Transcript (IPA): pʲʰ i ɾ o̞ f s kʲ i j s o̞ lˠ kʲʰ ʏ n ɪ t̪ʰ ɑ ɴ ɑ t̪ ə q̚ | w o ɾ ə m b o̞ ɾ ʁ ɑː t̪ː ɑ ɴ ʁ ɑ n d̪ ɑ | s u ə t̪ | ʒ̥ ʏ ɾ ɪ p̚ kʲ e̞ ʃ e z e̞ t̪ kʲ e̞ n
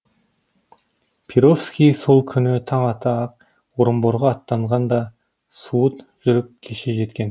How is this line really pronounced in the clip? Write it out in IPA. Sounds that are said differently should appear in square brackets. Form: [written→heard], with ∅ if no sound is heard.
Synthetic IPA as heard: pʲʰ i ɾ o̞ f s kʲ i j s o̞ lˠ kʲʰ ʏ n ɪ t̪ʰ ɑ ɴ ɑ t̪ [ə→ɑ] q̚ | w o ɾ ə m b o̞ ɾ ʁ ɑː t̪ː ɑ ɴ ʁ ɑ n d̪ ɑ | s u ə t̪ | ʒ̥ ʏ ɾ ɪ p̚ [kʲ→kʲʰ] e̞ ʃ e [z→ʒ] e̞ t̪ kʲ e̞ n